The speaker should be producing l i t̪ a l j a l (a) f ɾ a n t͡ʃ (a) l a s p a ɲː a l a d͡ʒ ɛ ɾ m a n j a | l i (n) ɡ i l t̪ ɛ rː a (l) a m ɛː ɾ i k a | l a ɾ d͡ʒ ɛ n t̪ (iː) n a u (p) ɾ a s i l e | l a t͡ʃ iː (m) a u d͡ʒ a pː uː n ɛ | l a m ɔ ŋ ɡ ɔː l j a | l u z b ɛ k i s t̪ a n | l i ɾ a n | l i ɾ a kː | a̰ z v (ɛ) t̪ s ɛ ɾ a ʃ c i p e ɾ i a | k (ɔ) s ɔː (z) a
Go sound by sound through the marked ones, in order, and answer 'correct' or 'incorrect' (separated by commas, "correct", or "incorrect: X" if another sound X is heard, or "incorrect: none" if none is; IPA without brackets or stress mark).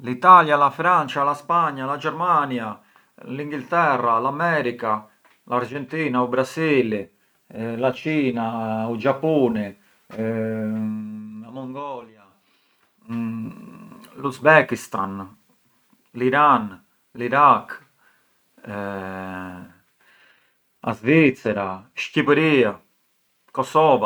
correct, correct, incorrect: ŋ, correct, correct, incorrect: b, incorrect: n, incorrect: i, correct, incorrect: v